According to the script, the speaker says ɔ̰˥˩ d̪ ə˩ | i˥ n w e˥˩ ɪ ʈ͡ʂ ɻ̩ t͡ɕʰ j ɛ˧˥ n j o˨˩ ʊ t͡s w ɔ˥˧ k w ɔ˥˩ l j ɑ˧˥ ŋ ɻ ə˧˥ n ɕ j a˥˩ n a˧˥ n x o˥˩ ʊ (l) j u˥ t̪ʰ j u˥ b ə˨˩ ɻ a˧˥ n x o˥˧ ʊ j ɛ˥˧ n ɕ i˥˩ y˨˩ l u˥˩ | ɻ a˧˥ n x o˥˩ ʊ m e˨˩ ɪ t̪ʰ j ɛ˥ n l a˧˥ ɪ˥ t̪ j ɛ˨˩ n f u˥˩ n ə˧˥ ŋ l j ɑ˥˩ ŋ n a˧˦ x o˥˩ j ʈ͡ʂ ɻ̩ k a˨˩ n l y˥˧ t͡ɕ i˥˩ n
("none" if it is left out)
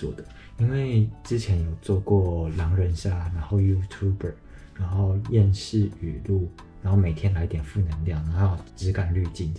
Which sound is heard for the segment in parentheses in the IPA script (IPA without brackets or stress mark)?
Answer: none